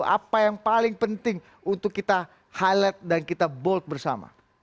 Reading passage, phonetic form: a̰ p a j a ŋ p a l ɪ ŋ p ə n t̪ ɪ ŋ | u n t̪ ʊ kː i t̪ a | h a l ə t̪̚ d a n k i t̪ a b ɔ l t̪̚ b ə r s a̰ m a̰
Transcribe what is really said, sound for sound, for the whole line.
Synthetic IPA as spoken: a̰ p a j a ŋ p a l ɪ ŋ p ə n t̪ ɪ ŋ | u n t̪ ʊ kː i t̪ a | h a l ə t̪̚ d a n k i t̪ a b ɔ l t̪̚ b ə r s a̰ m a̰